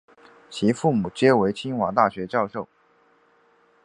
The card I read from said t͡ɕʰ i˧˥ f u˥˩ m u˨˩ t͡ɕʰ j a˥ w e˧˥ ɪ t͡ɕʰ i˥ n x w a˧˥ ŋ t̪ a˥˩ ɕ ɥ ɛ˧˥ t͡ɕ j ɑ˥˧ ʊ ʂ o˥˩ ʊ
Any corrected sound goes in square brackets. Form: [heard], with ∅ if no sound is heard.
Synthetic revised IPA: t͡ɕʰ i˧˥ f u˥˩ m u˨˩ [t͡ɕ] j [ɛ˥] w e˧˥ ɪ t͡ɕʰ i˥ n x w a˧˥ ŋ t̪ a˥˩ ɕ ɥ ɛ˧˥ t͡ɕ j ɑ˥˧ ʊ ʂ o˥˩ ʊ